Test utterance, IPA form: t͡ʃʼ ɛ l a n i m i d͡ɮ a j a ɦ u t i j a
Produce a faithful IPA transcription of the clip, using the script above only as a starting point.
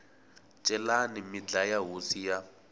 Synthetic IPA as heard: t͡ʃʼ ɛ l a n i m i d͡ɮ a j a ɦ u s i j a